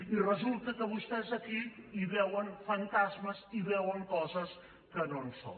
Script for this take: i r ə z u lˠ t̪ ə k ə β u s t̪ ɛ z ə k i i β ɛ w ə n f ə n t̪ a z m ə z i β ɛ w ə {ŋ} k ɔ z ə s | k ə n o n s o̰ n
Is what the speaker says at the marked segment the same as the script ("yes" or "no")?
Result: yes